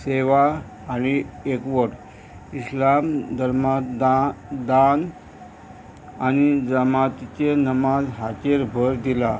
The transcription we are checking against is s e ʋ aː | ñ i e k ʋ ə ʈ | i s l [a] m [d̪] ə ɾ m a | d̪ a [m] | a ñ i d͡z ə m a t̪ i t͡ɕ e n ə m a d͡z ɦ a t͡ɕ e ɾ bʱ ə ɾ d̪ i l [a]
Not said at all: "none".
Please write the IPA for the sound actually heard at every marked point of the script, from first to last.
a, d̪, n, a

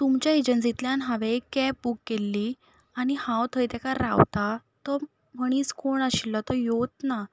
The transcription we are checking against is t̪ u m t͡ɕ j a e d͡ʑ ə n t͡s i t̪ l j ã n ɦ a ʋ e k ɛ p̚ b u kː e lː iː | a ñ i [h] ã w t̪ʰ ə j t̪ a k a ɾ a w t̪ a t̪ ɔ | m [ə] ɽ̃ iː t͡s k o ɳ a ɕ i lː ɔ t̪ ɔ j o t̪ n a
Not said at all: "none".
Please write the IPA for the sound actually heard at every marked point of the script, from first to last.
h, ə

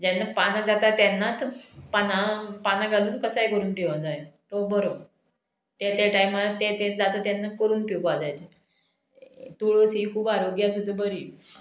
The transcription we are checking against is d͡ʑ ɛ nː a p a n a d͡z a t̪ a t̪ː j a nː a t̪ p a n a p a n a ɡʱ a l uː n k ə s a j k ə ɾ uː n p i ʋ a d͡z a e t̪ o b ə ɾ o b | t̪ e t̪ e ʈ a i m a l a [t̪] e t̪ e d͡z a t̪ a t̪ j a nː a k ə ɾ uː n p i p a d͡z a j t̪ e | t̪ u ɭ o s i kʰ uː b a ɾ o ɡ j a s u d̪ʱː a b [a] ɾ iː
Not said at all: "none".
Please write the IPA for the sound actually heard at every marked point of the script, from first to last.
t̪, ə

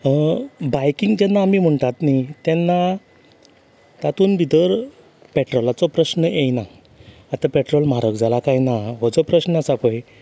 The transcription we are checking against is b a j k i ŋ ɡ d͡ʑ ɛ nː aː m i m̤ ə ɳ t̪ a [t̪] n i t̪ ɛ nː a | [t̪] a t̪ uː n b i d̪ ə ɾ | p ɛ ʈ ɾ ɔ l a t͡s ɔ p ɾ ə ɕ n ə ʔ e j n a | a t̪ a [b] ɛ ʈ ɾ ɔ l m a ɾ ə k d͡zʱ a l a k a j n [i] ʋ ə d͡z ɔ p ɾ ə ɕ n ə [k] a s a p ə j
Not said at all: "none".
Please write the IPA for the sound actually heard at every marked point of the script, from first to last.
t̪, t̪, p, a, none

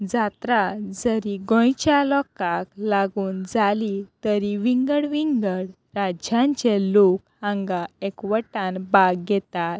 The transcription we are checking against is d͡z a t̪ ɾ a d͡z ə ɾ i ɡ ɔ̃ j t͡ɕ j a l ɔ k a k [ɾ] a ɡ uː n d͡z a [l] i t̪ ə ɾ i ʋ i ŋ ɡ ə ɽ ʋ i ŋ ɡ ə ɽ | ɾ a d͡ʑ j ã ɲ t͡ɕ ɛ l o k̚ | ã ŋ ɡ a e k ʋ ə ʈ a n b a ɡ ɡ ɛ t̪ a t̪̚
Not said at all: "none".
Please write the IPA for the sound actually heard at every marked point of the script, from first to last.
l, l

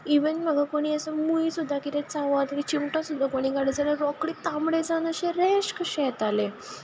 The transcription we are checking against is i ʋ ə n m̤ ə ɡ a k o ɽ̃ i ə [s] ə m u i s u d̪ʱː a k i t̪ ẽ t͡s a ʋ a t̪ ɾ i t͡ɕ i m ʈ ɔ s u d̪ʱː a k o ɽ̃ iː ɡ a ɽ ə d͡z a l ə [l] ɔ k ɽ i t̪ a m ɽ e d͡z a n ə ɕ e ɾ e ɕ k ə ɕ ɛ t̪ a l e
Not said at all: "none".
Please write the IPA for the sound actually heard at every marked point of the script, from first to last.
s, ɾ

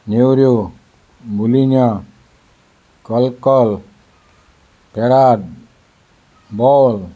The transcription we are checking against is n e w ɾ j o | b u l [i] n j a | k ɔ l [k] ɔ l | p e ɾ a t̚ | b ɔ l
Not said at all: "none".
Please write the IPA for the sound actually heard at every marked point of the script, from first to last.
i, k

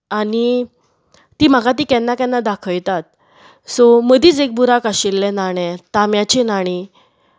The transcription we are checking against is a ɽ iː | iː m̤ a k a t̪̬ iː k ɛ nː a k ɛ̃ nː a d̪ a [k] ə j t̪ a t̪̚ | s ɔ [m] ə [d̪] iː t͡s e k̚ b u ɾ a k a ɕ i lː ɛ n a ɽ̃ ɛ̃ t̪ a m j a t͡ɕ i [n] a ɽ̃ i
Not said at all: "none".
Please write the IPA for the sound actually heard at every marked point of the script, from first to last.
kʰ, m, d̪, n

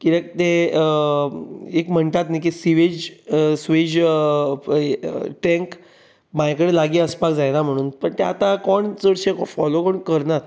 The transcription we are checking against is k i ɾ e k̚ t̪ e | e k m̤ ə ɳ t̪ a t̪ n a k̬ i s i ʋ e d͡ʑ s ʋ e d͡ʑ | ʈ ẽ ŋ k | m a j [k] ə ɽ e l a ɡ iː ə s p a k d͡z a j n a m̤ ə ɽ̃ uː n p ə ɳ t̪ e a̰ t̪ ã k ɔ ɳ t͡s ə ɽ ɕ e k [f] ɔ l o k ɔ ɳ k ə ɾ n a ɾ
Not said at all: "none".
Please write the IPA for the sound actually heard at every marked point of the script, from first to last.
k, f

